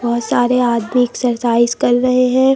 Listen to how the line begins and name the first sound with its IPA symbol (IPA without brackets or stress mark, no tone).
b